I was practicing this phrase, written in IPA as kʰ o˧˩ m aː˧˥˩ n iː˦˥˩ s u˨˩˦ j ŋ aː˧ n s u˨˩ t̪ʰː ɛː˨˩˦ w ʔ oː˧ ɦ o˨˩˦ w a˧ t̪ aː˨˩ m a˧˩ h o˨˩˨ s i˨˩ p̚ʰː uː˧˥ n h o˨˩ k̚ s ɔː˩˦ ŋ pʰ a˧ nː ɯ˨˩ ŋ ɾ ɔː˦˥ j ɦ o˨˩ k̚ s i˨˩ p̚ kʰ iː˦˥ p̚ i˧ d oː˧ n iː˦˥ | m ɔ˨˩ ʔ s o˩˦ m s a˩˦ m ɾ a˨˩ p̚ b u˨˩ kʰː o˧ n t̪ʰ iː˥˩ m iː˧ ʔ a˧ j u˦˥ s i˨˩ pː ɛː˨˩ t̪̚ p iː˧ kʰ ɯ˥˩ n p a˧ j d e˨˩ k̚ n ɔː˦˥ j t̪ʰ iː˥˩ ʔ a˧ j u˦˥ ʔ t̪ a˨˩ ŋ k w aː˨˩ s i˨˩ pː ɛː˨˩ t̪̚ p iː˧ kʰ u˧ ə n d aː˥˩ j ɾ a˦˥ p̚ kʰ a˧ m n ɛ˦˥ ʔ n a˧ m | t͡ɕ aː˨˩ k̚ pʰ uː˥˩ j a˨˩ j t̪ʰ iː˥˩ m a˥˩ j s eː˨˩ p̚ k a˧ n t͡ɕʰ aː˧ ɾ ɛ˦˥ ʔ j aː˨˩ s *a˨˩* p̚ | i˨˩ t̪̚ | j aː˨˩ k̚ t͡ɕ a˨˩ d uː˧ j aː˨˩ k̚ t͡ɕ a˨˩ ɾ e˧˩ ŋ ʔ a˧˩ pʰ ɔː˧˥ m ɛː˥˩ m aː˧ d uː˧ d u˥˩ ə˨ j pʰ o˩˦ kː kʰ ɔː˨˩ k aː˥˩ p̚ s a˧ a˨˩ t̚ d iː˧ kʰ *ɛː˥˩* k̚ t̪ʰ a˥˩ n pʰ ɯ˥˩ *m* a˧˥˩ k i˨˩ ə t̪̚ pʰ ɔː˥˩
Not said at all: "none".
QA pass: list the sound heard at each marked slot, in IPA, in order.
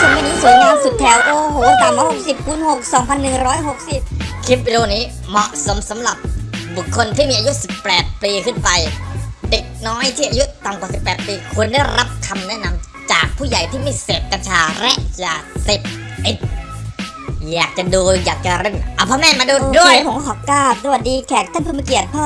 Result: e˨˩, ɛː˨˩, m

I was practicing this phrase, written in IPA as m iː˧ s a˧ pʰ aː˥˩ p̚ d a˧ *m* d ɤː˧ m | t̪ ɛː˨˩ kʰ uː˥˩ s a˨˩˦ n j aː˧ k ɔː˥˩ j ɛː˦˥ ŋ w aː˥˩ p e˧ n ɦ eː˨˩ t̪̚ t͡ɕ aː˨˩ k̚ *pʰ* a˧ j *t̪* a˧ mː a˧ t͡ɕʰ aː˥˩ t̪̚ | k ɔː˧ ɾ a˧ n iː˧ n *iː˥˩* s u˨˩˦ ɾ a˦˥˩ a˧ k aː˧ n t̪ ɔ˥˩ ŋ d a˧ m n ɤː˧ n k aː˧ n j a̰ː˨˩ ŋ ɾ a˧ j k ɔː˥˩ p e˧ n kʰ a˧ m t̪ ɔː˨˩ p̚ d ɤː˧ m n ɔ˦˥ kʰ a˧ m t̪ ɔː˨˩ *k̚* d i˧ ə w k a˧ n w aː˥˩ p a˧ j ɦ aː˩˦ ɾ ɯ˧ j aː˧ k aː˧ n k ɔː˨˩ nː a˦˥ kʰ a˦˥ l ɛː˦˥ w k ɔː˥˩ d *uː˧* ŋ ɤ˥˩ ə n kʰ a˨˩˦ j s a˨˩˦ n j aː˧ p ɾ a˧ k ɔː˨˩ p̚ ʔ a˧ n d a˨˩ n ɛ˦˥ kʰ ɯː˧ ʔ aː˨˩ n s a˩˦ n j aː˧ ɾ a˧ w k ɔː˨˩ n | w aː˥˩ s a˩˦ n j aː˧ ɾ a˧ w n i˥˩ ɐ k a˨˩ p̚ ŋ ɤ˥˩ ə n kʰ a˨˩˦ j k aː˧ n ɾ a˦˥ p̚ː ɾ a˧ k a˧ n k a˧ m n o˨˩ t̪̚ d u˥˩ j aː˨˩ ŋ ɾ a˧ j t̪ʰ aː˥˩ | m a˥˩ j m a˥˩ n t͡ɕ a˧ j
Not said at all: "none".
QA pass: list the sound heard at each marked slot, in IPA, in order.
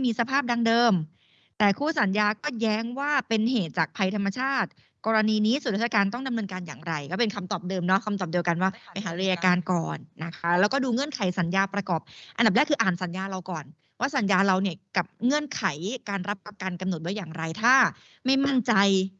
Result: ŋ, pʰ, t̪ʰ, iː˦˥, p̚, uː˧

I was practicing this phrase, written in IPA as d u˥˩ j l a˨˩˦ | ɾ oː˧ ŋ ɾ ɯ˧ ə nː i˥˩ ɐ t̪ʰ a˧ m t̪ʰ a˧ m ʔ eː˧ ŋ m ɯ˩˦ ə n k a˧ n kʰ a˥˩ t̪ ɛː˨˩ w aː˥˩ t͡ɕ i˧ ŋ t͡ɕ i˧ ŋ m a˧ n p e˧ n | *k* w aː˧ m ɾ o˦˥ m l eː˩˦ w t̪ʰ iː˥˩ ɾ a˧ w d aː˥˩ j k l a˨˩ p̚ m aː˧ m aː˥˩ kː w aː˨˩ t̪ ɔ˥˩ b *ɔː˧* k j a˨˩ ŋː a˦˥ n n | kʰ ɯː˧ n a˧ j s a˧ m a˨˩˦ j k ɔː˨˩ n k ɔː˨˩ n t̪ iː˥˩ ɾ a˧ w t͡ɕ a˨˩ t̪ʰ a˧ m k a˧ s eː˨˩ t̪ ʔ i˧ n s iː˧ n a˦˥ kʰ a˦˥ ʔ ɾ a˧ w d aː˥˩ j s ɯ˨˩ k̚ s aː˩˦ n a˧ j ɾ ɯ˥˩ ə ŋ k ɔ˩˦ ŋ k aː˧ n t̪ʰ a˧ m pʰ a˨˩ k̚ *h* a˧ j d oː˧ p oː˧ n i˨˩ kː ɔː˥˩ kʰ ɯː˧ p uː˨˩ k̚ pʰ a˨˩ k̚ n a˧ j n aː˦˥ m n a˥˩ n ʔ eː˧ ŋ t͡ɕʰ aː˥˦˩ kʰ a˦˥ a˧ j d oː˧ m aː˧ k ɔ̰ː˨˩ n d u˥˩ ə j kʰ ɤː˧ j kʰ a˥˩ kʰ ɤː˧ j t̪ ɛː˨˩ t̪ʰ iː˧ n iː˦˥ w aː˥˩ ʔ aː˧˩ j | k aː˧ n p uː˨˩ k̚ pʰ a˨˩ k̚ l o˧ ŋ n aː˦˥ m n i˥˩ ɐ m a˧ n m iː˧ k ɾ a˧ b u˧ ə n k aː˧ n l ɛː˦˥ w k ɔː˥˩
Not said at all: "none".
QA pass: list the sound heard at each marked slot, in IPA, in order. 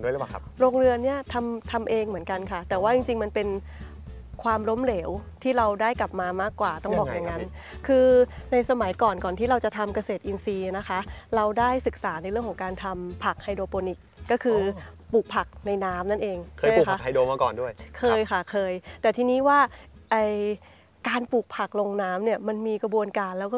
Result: kʰ, ɔː˨˩, h

